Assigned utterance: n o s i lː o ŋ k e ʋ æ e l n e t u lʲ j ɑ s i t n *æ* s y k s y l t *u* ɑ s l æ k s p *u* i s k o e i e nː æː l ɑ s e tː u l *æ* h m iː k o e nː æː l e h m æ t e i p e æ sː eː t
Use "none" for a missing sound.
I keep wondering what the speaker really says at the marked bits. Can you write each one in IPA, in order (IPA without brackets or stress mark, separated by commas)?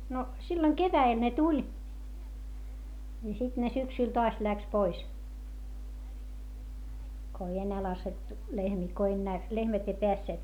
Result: e, o, o, e